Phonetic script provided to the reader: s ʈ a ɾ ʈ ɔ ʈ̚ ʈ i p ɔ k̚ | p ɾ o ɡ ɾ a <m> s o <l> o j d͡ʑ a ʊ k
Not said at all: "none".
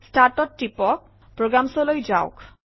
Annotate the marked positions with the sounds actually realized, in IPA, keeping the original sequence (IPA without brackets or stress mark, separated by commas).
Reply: m, l